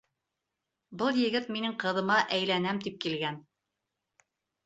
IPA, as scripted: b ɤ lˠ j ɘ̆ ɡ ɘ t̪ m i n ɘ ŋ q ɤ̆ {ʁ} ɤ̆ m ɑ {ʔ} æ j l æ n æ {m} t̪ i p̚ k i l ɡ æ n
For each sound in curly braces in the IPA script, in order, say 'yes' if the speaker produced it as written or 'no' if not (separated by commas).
no, yes, yes